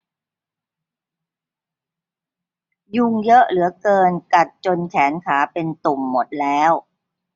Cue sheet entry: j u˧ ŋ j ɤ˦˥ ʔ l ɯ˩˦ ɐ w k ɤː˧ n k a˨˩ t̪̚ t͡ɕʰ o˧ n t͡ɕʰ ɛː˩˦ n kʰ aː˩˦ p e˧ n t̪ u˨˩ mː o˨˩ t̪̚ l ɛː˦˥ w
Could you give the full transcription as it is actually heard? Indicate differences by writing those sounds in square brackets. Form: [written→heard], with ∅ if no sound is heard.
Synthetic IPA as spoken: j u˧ ŋ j ɤ˦˥ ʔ l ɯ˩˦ ɐ [w→∅] k ɤː˧ n k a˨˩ t̪̚ [t͡ɕʰ→t͡ɕ] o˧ n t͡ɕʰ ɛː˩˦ n kʰ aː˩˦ p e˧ n t̪ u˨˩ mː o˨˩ t̪̚ l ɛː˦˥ w